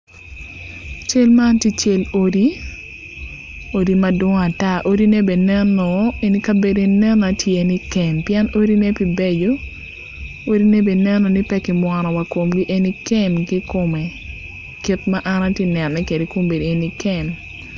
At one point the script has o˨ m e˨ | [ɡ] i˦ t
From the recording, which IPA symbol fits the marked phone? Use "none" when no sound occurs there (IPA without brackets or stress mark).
k